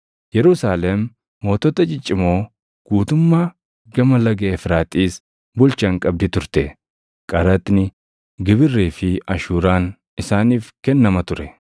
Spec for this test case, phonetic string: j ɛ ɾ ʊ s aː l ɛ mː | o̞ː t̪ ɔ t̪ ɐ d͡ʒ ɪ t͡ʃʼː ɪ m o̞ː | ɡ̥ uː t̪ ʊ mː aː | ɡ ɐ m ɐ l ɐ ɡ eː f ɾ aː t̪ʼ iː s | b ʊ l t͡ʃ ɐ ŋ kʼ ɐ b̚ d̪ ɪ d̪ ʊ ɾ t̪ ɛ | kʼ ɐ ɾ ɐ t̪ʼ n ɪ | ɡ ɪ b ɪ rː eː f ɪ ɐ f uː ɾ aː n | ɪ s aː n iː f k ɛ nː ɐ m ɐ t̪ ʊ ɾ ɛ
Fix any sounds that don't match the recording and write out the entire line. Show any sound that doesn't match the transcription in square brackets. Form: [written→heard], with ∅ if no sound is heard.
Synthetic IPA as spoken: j ɛ ɾ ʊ s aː l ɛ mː | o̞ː t̪ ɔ t̪ ɐ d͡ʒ ɪ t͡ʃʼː ɪ m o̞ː | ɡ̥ uː t̪ ʊ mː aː | ɡ ɐ m ɐ l ɐ ɡ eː f ɾ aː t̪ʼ iː s | b ʊ l t͡ʃ ɐ ŋ kʼ ɐ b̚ d̪ ɪ [d̪→t̪] ʊ ɾ t̪ ɛ | kʼ ɐ ɾ ɐ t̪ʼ n ɪ | ɡ ɪ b ɪ rː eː f ɪ ɐ [f→ʃ] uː ɾ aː n | ɪ s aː n iː f k ɛ nː ɐ m ɐ t̪ ʊ ɾ ɛ